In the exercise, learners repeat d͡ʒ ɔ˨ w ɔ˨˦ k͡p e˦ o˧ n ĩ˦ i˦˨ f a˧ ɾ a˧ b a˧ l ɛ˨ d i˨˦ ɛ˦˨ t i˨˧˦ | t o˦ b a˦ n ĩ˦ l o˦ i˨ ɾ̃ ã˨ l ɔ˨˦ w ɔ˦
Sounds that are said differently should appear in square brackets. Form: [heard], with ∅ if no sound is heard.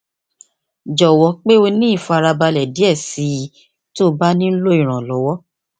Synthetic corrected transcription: d͡ʒ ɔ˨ w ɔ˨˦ k͡p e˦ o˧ n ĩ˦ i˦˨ f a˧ ɾ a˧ b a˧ l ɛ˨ d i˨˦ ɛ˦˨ [s] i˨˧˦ | t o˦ b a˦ n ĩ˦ l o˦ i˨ ɾ̃ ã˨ l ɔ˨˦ w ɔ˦